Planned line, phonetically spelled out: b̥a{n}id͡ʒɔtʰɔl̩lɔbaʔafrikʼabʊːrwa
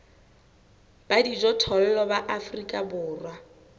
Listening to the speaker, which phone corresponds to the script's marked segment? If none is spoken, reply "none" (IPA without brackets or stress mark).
d